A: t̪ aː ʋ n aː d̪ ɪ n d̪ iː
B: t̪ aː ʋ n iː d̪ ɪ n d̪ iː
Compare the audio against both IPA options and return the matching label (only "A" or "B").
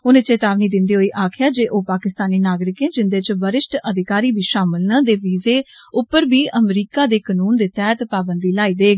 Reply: B